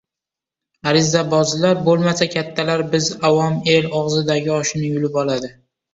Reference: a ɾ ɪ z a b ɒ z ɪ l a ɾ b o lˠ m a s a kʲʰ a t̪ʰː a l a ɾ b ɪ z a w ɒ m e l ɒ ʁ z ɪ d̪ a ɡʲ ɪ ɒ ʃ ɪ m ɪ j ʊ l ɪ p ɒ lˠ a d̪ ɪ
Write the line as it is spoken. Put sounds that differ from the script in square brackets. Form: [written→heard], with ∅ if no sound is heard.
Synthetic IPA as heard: a ɾ ɪ z a b ɒ z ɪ l a ɾ b o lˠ m a s a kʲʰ a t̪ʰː a l a ɾ b ɪ z a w ɒ m e l ɒ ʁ z ɪ d̪ a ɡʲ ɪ ɒ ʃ ɪ [m→n] ɪ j ʊ l ɪ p ɒ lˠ a d̪ ɪ